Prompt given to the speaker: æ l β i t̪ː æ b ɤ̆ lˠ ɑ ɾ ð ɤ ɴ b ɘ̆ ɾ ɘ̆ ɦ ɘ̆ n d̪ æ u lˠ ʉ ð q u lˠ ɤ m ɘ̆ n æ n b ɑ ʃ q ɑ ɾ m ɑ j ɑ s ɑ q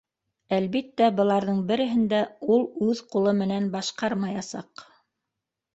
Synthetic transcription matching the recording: æ l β i t̪ː æ b ɤ̆ lˠ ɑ ɾ ð ɤ ɴ b ɘ̆ ɾ ɘ̆ ɦ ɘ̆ n d̪ æ u lˠ ʉ ð q u lˠ ɤ m ɘ̆ n æ n b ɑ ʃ q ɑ ɾ m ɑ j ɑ s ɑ q